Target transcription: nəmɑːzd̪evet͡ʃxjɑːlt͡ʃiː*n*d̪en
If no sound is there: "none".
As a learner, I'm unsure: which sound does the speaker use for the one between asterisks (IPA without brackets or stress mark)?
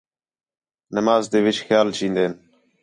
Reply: n